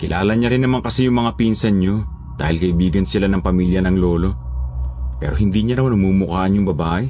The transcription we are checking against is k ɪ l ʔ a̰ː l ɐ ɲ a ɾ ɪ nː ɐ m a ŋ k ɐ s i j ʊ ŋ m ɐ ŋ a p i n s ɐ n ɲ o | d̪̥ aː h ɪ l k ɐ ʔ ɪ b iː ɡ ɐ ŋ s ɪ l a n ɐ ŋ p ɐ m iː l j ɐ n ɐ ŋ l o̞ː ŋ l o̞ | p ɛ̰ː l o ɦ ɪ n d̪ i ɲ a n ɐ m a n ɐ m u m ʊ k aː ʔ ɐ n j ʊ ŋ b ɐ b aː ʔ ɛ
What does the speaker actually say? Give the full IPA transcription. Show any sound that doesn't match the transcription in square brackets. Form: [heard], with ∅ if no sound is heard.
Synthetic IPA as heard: k ɪ l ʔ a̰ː l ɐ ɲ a ɾ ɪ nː ɐ m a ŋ k ɐ s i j ʊ ŋ m ɐ ŋ a p i n s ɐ n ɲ o | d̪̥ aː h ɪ l k ɐ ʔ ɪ b iː ɡ ɐ [n] s ɪ l a n ɐ ŋ p ɐ m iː l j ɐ n ɐ ŋ l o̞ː [∅] l o̞ | p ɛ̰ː [ɾ] o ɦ ɪ n d̪ i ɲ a n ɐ m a n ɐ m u m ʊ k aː ʔ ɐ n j ʊ ŋ b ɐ b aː ʔ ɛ